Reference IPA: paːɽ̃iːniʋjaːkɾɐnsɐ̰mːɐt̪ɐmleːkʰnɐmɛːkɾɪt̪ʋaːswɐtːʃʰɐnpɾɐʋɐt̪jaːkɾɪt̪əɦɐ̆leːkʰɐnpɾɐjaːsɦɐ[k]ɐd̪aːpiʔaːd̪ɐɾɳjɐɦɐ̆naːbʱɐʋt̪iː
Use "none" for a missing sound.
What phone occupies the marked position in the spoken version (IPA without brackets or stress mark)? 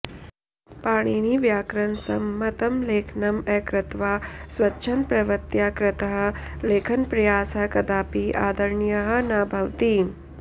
k